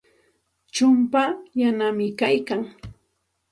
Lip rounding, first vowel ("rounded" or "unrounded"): rounded